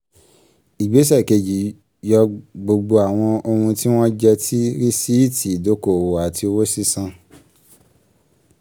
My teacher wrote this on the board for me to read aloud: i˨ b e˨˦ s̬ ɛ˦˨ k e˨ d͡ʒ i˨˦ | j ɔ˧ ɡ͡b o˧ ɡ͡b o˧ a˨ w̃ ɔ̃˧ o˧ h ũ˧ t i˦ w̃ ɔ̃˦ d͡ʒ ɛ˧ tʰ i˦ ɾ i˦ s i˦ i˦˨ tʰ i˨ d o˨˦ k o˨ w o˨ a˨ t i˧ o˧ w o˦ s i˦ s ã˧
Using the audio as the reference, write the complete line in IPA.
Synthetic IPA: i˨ ɡ͡b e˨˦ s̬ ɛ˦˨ k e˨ d͡ʒ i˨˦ | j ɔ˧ ɡ͡b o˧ ɡ͡b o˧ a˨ w̃ ɔ̃˧ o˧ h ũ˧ t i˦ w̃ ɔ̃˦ d͡ʒ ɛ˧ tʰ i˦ ɾ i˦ s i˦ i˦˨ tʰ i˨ d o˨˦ k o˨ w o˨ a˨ t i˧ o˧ w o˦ s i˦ s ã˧